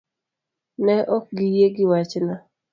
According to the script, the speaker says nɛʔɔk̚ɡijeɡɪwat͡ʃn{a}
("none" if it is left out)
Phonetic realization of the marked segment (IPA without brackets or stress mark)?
a